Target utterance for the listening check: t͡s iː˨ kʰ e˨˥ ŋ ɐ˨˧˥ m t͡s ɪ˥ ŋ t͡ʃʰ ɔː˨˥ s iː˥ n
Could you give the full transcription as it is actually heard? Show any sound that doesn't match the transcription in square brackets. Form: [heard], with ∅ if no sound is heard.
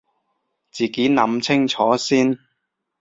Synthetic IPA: t͡s iː˨ [k] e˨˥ [n] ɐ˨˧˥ m [t͡sʰ] ɪ˥ ŋ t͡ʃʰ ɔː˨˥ s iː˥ n